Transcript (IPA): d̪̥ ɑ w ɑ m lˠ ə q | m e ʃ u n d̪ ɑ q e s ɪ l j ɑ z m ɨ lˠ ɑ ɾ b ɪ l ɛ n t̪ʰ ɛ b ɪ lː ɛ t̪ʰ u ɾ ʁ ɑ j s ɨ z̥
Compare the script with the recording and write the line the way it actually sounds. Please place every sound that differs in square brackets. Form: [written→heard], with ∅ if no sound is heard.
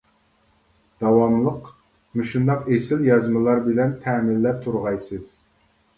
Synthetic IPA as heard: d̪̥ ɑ w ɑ m lˠ ə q | m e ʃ u n d̪ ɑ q e s ɪ l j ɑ z m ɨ lˠ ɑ ɾ b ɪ l ɛ n t̪ʰ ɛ [b→m] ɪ lː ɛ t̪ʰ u ɾ ʁ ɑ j s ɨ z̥